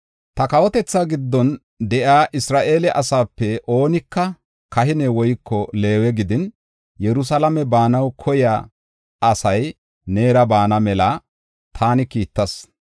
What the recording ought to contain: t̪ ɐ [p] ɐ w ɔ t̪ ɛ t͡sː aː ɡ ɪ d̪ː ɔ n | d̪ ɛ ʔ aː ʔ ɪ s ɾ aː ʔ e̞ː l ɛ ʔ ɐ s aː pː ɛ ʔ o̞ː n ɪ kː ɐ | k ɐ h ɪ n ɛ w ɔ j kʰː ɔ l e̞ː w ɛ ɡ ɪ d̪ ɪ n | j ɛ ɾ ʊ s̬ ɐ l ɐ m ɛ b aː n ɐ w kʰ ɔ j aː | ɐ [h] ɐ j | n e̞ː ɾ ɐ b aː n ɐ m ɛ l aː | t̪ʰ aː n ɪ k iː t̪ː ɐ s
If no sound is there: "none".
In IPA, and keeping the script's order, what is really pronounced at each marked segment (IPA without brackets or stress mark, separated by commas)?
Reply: k, s